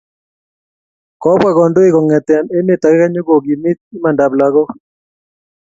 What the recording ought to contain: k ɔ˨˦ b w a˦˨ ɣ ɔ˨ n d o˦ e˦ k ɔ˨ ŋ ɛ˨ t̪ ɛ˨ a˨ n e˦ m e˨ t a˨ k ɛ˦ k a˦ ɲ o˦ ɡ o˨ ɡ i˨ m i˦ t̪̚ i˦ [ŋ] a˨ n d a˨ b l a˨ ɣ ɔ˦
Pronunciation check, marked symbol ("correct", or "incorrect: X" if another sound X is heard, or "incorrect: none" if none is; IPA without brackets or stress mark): incorrect: m